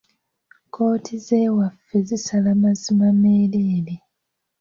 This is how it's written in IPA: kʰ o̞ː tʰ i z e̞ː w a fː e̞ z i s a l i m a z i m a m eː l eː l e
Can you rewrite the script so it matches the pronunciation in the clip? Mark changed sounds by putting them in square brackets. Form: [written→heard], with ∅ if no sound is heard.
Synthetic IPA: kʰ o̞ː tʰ i z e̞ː w a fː e̞ z i s a l [i→a] m a z i m a m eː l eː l e

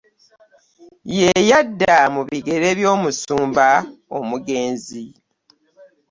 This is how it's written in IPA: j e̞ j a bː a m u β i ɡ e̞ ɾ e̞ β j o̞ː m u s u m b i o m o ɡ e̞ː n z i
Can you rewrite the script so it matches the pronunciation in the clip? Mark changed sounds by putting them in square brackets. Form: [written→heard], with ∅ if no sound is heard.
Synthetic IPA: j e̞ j a [bː→dː] a m u β i ɡ e̞ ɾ e̞ β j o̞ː m u s [u→uː] m b [i→a] o m [o→u] ɡ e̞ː n z i

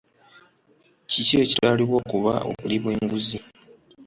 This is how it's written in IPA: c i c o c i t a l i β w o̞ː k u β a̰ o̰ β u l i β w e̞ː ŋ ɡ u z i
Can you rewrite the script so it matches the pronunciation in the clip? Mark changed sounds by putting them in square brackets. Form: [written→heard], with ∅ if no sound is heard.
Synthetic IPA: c i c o c i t a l i β w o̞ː k u β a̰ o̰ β u l i β w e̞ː ŋ ɡ u z i

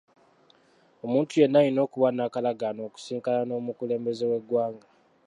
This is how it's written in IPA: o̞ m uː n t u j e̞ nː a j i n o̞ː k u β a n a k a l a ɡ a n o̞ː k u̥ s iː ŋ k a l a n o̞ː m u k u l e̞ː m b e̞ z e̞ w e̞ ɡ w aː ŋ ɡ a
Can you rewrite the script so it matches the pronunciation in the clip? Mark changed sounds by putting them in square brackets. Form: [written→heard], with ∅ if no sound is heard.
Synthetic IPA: o̞ m uː n t u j e̞ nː a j i n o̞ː k u β a n a k a l a ɡ a n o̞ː k u̥ s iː ŋ k a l a n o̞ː m u k u l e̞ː m b e̞ z e̞ w e̞ ɡ w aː ŋ ɡ a

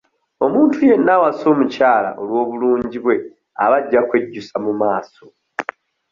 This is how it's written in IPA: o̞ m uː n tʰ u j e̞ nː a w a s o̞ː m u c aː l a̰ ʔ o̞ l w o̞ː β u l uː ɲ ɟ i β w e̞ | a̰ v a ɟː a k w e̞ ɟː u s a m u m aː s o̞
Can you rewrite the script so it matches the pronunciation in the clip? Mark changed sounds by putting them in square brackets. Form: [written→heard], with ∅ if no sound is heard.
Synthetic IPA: o̞ m uː n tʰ u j e̞ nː a w a s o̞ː m u c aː l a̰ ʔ o̞ l w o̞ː β u l uː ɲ ɟ i β w e̞ | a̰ [v→β] a ɟː a k w e̞ ɟː u s a m u m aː s o̞

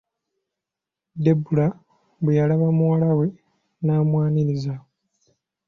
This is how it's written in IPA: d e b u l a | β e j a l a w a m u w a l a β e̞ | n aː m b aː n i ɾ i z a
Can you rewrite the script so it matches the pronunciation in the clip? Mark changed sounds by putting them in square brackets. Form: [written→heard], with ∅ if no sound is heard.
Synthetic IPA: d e b u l a | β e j a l a [w→β] a m u w a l a [β→w] e̞ | n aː m [b→w] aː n i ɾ i z a

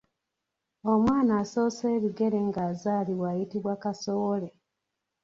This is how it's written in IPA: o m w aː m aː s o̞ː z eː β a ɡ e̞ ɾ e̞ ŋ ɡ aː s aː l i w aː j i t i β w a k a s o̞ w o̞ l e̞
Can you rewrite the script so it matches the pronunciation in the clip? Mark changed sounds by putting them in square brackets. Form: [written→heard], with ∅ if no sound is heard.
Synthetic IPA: o m w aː [m→n] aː s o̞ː [z→s] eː β [a→i] ɡ e̞ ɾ e̞ ŋ ɡ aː [s→z] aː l i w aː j i t i β w a k a s o̞ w o̞ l e̞

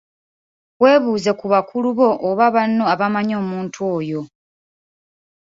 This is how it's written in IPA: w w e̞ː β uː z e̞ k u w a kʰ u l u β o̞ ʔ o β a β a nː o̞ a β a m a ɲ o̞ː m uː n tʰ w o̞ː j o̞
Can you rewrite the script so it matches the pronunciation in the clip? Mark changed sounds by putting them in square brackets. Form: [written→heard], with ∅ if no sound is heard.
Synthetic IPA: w w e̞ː β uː z e̞ k u [w→β] a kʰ u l u β o̞ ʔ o β a β a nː o̞ a β a m a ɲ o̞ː m uː n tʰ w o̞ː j o̞

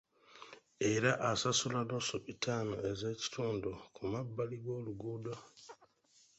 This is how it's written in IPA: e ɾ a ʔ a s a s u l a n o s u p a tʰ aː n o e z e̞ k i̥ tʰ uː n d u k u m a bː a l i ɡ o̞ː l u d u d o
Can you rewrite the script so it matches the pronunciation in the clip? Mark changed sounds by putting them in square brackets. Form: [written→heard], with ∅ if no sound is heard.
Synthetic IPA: e ɾ a ʔ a s a s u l a n o s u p [a→i] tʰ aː n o e z e̞ [k→c] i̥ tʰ uː n d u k u m a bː a l i ɡ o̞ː l u [d→ɡ] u d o

